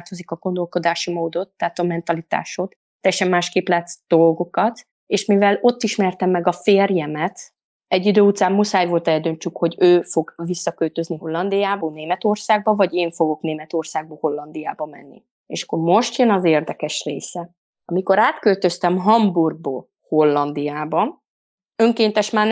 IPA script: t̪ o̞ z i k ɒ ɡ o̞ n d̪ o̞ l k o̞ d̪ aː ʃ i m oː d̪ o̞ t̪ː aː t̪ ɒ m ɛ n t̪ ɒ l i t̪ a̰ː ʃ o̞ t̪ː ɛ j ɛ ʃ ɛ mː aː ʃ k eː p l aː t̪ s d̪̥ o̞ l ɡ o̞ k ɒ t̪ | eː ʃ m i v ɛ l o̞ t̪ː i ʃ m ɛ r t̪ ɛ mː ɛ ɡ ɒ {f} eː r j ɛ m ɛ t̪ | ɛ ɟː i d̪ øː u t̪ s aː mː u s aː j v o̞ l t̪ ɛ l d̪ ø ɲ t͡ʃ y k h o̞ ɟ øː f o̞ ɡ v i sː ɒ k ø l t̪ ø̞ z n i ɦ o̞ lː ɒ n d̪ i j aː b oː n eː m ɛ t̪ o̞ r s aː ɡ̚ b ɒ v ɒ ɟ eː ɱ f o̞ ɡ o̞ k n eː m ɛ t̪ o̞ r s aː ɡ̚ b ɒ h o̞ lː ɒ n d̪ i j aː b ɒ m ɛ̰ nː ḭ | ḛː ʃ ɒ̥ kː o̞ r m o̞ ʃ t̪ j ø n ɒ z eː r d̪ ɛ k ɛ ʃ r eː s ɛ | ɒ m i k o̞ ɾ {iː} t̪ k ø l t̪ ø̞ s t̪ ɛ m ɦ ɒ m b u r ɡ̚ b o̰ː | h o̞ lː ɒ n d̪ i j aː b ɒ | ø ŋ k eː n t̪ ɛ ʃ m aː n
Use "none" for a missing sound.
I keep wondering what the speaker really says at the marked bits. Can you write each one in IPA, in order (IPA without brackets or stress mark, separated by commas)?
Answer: f, aː